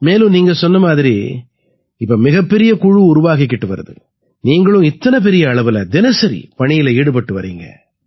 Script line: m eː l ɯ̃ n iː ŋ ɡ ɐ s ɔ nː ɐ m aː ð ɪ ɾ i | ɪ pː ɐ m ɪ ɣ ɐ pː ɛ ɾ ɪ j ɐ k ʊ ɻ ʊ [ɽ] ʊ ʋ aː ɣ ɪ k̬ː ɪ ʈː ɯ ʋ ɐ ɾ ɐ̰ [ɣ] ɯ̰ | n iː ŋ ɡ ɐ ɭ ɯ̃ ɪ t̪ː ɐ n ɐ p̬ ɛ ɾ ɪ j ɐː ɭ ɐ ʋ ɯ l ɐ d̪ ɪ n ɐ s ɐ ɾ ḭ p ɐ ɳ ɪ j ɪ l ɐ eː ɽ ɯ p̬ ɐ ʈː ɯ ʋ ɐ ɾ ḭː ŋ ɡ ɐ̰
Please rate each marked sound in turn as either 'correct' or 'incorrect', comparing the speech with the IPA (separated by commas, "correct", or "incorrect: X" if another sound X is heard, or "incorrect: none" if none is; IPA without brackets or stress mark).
incorrect: ɾ, incorrect: ð